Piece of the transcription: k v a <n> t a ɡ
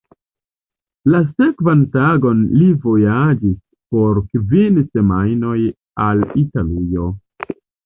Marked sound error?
no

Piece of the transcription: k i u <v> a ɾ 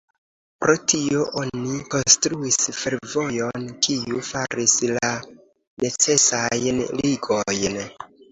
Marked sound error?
yes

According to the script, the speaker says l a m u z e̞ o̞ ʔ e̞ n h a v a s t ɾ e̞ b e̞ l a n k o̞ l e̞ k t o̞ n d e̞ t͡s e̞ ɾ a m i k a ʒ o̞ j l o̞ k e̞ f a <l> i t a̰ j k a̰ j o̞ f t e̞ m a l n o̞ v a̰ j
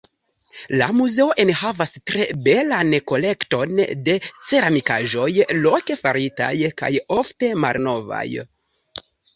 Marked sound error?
yes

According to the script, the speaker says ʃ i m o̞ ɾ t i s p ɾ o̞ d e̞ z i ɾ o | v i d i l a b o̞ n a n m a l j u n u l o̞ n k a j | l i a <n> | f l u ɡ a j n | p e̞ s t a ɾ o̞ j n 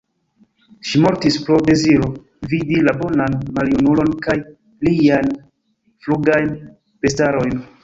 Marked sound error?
no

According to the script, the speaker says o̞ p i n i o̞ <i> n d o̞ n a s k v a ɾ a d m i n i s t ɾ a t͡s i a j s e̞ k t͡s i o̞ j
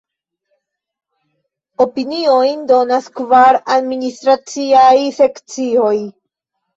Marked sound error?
yes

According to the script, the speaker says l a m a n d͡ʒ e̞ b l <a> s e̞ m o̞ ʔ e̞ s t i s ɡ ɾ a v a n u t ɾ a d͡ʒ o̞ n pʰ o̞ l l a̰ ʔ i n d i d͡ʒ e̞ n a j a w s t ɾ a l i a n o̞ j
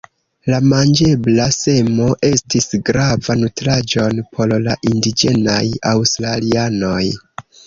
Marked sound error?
no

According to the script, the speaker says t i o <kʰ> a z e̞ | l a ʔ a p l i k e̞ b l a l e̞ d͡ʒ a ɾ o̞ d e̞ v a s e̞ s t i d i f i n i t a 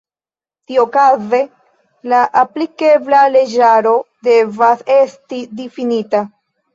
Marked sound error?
yes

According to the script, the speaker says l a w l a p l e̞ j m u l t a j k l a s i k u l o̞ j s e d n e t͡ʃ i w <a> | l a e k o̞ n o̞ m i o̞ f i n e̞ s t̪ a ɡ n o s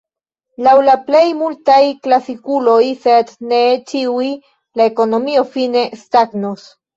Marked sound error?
yes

